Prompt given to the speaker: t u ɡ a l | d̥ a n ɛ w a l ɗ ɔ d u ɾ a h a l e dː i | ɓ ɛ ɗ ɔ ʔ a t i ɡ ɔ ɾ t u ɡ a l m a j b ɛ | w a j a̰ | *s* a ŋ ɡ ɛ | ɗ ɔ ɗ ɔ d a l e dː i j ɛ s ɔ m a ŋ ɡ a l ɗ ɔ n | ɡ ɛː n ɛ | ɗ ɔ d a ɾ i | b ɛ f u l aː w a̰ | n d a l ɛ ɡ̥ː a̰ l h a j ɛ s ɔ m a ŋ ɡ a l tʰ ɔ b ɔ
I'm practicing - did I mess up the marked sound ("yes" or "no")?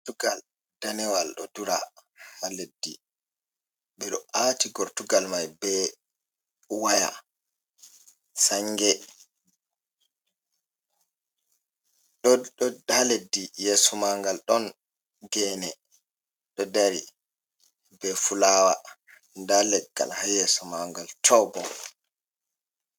no